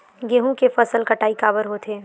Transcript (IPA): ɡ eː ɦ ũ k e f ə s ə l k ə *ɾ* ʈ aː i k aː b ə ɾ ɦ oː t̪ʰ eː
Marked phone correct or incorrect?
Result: incorrect